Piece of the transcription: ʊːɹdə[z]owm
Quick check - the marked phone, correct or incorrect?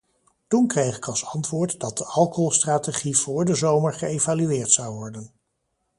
correct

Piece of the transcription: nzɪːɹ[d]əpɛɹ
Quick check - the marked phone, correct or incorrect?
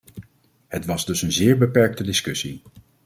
incorrect: b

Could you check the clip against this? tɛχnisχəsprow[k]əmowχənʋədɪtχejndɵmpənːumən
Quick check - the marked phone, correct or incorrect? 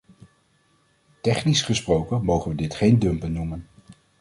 correct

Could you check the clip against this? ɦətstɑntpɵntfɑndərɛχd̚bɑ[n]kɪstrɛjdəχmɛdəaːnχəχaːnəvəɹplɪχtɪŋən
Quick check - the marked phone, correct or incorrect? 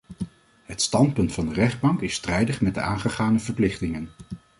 incorrect: ŋ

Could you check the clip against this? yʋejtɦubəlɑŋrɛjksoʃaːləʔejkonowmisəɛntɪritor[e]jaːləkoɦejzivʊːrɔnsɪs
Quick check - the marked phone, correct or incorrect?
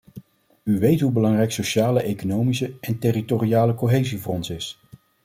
incorrect: i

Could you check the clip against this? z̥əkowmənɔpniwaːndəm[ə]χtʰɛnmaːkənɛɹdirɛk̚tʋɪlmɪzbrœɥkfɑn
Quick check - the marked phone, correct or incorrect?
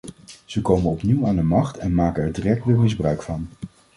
incorrect: ɑ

